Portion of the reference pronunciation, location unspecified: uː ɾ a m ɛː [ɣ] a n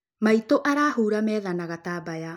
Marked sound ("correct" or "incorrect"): incorrect